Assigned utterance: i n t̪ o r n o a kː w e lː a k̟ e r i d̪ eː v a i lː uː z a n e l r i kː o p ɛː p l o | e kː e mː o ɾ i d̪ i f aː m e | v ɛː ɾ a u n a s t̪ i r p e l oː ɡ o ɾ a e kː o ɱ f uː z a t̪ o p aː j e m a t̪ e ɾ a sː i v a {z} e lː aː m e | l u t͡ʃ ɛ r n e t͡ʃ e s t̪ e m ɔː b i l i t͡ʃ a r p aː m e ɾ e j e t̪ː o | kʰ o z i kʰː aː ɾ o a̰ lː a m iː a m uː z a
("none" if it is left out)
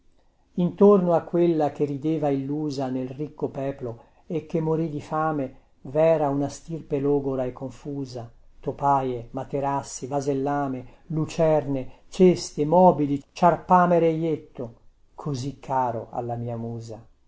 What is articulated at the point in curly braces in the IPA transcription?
z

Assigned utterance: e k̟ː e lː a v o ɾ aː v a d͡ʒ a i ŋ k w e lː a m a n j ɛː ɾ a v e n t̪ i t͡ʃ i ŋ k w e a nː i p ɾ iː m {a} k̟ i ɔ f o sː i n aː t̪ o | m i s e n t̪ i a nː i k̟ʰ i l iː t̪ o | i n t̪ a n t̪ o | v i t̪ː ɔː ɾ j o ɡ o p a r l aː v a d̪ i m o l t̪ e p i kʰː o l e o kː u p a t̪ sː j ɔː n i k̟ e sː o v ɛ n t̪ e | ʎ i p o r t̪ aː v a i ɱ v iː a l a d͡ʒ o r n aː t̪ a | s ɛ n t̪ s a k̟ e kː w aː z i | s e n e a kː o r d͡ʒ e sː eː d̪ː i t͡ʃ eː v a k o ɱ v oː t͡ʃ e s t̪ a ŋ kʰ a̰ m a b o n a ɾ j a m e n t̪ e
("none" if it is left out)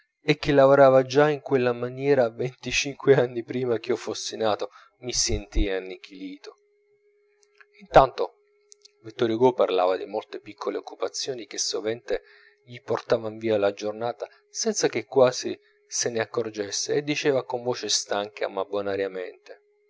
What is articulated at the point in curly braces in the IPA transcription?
a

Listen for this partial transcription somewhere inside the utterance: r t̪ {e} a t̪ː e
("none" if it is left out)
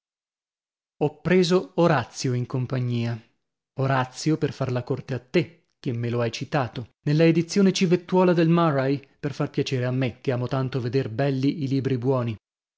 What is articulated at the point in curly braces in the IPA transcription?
e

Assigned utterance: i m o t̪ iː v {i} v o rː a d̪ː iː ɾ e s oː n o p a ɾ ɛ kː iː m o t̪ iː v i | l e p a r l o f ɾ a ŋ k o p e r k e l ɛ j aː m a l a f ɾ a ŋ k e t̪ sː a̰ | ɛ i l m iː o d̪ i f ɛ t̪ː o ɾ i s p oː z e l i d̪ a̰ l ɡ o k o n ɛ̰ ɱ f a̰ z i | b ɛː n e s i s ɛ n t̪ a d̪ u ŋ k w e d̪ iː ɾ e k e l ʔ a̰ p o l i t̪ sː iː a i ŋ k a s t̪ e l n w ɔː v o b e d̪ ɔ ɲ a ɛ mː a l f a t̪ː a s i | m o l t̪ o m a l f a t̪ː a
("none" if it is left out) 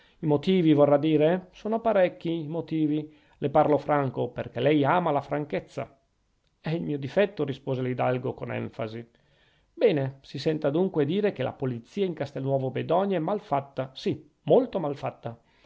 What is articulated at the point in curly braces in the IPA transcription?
i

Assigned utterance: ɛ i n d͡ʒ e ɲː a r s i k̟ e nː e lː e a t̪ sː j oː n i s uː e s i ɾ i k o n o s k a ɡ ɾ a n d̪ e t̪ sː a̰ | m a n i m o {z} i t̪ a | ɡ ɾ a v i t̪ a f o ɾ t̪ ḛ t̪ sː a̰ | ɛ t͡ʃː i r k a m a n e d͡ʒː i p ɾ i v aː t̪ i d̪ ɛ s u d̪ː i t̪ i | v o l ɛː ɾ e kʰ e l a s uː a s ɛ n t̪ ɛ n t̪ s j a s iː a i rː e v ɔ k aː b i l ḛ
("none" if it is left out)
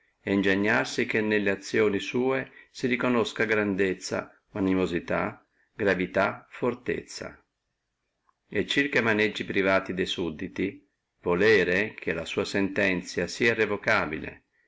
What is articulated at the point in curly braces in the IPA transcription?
z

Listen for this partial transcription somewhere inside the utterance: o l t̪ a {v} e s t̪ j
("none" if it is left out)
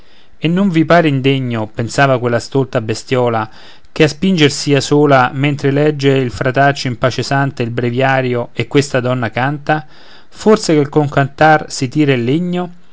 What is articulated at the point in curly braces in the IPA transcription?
b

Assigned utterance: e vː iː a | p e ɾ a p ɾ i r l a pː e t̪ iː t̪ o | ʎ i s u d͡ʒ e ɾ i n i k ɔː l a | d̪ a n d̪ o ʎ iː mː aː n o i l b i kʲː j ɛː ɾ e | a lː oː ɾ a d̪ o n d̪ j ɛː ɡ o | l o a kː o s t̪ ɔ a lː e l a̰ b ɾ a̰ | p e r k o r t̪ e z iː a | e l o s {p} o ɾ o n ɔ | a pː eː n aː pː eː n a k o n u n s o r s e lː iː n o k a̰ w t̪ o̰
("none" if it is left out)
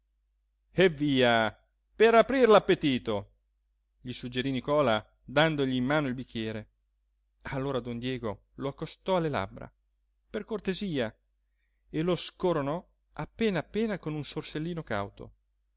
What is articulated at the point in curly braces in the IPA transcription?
k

